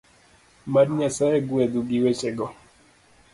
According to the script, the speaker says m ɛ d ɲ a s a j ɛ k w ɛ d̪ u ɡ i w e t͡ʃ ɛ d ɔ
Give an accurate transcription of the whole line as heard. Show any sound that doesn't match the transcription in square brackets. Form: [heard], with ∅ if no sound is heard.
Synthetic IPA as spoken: m [a] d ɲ a s a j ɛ [ɡ] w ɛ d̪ u ɡ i w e t͡ʃ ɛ [ɡ] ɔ